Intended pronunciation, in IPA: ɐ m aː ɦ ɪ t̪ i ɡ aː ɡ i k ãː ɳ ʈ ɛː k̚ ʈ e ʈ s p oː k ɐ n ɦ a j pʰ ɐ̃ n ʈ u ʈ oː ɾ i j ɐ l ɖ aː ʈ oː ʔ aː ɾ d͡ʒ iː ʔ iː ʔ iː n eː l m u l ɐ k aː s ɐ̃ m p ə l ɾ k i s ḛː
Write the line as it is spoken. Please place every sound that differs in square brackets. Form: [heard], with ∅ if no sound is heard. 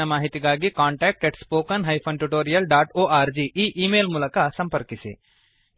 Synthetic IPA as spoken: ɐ m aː ɦ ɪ t̪ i ɡ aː ɡ i k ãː ɳ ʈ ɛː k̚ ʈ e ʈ s p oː k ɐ n ɦ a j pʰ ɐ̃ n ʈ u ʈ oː ɾ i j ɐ l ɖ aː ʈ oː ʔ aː ɾ d͡ʒ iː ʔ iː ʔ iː [m] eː l m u l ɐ k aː s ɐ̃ m p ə [∅] ɾ k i s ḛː